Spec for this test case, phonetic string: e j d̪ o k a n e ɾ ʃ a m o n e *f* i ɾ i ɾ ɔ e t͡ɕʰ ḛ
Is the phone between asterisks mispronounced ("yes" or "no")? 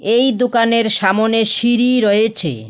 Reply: yes